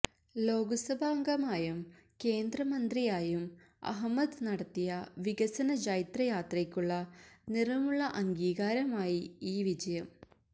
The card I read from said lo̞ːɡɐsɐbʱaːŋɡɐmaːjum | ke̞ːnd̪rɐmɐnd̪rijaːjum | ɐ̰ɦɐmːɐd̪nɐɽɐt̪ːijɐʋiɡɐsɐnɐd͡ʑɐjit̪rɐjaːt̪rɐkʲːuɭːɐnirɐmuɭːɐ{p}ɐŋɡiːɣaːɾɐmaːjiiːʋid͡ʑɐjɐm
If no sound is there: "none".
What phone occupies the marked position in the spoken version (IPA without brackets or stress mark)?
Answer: ʔ